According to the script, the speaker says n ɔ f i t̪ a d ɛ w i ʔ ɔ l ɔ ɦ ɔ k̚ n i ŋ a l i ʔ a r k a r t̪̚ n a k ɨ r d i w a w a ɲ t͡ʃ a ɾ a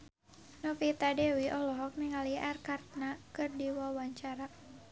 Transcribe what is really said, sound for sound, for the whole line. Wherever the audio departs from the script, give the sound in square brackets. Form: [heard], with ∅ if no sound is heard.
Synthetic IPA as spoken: n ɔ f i t̪ a d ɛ w i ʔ ɔ l ɔ ɦ ɔ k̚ n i ŋ a l i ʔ a r k a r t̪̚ n a k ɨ r d i w a w a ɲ t͡ʃ a ɾ a